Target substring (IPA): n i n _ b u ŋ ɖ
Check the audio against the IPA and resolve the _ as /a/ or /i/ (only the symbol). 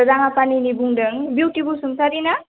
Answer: i